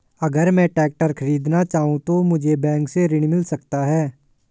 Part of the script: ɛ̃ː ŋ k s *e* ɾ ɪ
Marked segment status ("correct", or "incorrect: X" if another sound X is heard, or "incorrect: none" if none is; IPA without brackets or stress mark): correct